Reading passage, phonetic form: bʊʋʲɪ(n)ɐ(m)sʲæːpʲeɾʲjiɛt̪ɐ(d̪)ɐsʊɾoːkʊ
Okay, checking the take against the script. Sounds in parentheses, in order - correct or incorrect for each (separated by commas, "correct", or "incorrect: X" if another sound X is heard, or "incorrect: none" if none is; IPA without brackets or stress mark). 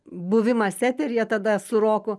incorrect: m, incorrect: none, correct